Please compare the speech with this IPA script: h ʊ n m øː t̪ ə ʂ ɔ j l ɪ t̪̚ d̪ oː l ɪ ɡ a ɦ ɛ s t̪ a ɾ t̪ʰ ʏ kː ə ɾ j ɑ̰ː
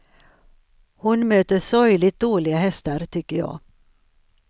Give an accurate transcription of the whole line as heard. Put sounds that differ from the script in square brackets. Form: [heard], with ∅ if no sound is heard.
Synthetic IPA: h ʊ n m øː t̪ ə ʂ ɔ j l ɪ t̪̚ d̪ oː l ɪ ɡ a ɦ ɛ s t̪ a ɾ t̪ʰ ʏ kː ə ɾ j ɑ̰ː